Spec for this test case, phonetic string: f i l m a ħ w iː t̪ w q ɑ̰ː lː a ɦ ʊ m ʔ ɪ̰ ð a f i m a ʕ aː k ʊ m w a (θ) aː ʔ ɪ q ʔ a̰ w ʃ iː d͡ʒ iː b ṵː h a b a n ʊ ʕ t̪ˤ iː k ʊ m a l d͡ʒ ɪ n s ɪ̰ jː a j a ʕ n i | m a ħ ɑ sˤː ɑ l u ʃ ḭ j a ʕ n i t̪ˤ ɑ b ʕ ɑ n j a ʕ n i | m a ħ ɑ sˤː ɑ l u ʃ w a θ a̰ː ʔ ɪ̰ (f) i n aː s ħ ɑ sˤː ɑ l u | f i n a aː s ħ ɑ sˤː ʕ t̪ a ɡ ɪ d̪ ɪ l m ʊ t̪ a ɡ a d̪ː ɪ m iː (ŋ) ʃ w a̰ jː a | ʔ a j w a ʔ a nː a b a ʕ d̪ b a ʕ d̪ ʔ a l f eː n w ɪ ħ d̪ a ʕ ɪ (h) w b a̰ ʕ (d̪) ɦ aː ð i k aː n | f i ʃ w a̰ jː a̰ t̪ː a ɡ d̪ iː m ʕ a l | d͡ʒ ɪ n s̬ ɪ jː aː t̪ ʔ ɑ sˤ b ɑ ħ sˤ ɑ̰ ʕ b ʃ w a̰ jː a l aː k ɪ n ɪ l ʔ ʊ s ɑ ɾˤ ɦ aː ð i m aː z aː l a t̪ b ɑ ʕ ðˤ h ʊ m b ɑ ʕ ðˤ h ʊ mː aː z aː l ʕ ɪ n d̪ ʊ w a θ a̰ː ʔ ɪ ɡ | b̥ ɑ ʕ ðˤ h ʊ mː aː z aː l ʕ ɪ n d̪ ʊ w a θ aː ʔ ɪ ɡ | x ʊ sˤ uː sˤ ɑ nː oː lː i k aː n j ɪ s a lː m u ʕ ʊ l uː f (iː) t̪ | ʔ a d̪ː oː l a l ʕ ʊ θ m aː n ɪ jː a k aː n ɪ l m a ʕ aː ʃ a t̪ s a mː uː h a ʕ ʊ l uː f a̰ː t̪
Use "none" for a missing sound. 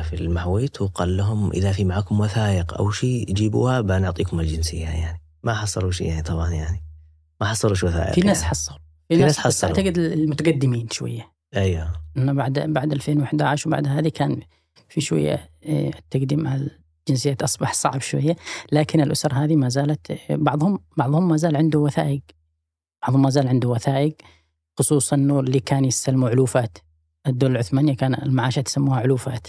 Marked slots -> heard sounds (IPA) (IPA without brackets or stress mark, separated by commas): θ, f, n, ʃ, d̪, aː